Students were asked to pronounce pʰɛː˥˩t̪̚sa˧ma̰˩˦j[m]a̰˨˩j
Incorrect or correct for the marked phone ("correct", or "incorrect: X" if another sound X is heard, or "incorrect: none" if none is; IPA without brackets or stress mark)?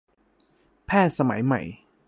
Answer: correct